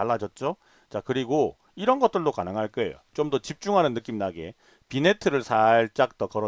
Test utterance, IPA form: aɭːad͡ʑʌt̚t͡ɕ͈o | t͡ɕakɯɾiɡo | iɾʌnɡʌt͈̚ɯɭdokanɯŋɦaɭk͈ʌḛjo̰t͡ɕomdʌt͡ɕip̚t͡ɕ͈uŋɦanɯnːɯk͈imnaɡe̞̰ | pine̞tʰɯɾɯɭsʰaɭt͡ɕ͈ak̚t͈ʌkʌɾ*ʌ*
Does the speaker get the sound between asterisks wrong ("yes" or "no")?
no